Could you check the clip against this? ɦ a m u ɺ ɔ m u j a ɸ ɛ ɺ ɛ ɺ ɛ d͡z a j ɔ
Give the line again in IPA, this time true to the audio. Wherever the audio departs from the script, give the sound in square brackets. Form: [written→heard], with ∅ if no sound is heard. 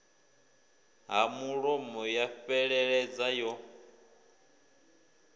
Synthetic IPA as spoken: ɦ a m u ɺ ɔ m [u→ɔ] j a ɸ ɛ ɺ ɛ ɺ ɛ d͡z a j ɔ